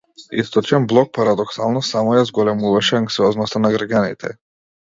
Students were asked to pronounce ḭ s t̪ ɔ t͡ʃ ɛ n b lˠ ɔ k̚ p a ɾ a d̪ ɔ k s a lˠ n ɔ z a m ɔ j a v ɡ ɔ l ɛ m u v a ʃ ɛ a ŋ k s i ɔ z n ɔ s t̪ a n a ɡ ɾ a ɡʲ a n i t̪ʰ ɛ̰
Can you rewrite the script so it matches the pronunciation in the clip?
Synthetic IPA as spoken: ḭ s t̪ ɔ t͡ʃ ɛ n b lˠ ɔ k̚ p a ɾ a d̪ ɔ k s a lˠ n ɔ s a m ɔ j a z ɡ ɔ l ɛ m u v a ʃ ɛ a ŋ k s i ɔ z n ɔ s t̪ a n a ɡ ɾ a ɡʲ a n i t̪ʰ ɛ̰